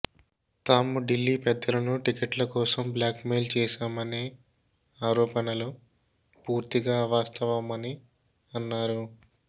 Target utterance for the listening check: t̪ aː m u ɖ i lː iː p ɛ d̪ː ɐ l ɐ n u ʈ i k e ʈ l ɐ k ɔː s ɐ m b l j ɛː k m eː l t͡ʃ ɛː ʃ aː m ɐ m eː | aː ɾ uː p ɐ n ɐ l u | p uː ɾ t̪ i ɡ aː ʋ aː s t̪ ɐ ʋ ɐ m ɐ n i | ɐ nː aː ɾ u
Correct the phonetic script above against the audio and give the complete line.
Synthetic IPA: t̪ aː m u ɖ i lː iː p ɛ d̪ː ɐ l ɐ n u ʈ i k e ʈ l ɐ k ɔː s ɐ m b l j aː k m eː l t͡ʃ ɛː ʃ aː m ɐ n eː | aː ɾ ɔː p ɐ n ɐ l u | p uː ɾ t̪ i ɡ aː ʋ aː s t̪ ɐ ʋ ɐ m ɐ n i | ɐ nː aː ɾ u